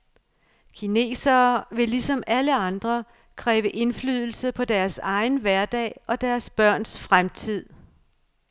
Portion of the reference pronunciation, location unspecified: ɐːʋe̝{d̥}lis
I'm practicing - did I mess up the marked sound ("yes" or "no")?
yes